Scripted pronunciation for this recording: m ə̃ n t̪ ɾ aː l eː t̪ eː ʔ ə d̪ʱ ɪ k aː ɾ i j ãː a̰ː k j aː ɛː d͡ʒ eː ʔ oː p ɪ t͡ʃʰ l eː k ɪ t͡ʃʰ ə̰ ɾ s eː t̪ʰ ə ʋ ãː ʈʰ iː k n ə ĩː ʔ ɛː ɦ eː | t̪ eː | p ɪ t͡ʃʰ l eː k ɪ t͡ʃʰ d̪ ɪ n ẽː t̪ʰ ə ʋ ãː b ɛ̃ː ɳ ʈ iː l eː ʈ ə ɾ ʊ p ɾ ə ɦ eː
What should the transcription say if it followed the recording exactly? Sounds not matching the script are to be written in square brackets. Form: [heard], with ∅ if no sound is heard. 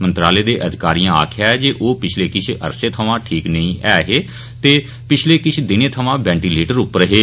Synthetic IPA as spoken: m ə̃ n t̪ ɾ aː l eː [d̪] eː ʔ ə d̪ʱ ɪ k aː ɾ i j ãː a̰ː [kʰ] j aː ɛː d͡ʒ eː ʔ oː p ɪ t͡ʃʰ l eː k ɪ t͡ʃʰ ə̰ ɾ s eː t̪ʰ ə ʋ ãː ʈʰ iː k n ə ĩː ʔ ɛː ɦ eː | t̪ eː | p ɪ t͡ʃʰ l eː k ɪ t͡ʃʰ d̪ ɪ n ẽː t̪ʰ ə ʋ ãː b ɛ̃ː ɳ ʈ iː l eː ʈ ə ɾ ʊ p ɾ ə ɦ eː